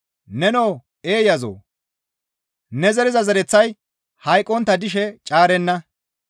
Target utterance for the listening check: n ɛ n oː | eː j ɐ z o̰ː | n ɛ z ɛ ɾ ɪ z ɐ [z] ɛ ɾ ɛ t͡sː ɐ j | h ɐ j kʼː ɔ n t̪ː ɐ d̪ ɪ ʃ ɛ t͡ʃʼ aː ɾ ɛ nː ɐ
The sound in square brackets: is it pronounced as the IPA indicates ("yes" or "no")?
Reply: yes